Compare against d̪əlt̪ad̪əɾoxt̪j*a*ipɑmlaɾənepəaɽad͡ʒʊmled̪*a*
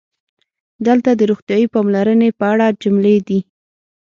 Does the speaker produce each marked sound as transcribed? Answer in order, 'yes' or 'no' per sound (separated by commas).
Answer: no, no